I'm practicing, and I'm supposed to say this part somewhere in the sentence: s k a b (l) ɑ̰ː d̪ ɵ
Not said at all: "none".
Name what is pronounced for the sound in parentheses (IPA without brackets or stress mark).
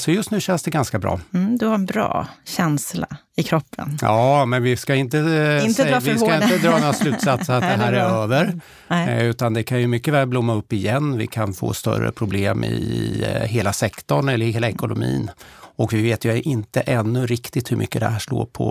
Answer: ɾ